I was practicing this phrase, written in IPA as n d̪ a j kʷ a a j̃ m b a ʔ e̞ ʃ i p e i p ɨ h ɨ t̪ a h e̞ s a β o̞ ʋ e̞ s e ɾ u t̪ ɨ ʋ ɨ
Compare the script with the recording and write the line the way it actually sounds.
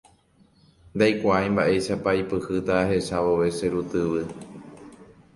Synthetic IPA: n d̪ a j kʷ a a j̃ m b a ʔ e̞ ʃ a p a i p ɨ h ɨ t̪ a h e̞ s a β o̞ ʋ e̞ s e ɾ u t̪ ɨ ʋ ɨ